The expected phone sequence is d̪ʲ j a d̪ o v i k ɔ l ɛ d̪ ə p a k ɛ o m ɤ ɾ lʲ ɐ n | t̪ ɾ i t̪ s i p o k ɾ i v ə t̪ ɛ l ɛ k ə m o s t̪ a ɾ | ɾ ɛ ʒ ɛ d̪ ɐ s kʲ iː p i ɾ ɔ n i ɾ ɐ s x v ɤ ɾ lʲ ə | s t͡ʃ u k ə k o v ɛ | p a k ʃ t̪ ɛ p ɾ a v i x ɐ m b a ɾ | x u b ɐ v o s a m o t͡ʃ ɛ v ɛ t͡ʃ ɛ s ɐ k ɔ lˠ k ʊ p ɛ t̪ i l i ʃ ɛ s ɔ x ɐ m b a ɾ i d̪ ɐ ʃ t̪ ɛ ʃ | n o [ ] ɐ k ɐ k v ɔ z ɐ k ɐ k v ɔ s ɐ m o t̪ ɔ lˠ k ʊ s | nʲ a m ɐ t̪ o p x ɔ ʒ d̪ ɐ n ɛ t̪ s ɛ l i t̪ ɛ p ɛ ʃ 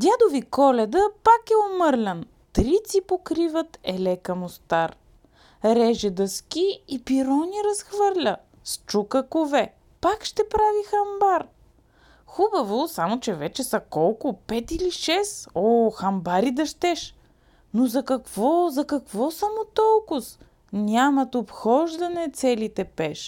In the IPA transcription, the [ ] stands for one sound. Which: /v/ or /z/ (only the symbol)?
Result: z